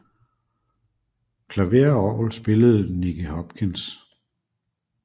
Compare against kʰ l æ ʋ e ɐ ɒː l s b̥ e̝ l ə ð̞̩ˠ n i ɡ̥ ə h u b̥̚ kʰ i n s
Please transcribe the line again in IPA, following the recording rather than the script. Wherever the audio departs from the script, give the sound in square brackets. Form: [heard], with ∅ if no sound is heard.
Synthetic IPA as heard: kʰ l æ ʋ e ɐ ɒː l s b̥ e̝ l ə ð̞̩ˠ n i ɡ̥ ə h [ɒ] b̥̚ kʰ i n s

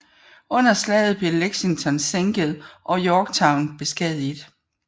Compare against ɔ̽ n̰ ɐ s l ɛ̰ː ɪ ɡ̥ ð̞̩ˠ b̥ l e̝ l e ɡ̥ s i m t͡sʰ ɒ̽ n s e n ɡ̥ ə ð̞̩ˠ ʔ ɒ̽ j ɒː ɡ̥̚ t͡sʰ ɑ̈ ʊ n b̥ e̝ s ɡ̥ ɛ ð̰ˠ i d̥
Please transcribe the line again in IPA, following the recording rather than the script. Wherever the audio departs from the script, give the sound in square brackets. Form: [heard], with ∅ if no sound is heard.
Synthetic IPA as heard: ɔ̽ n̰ ɐ s l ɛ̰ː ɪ [∅] ð̞̩ˠ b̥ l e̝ l e ɡ̥ s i [ŋ] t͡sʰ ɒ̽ n s e [ŋ] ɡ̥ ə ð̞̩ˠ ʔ ɒ̽ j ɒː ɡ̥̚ t͡sʰ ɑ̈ ʊ n b̥ e̝ s ɡ̥ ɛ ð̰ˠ i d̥

